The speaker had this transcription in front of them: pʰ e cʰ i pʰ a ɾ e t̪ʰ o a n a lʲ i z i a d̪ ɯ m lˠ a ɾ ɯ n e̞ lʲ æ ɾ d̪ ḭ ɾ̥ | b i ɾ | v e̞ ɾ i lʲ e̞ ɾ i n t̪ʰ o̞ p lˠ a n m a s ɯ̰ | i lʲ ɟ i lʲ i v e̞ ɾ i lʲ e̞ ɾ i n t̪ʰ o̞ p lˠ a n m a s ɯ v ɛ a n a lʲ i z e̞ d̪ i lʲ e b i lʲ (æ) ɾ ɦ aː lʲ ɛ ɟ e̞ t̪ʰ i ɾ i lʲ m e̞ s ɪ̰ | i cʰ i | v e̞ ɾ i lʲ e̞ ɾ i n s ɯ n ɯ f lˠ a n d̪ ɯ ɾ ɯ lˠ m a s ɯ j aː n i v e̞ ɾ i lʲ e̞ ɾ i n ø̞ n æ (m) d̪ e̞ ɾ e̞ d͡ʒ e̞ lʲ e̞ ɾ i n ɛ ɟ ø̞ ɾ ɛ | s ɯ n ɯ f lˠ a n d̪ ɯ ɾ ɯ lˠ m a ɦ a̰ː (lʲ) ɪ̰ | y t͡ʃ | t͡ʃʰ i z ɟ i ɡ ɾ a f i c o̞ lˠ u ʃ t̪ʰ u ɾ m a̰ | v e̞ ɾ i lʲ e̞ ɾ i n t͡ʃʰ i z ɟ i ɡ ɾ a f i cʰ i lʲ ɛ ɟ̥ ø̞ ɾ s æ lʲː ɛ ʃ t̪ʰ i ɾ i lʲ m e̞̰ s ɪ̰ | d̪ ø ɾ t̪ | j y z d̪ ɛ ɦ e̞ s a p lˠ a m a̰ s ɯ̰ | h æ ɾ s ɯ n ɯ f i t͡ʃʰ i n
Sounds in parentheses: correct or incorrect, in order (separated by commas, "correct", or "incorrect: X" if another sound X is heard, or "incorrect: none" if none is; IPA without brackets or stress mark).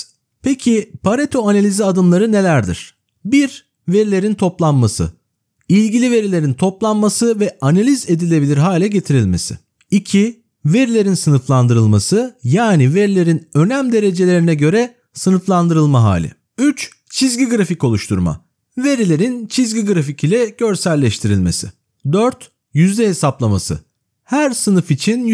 incorrect: i, correct, correct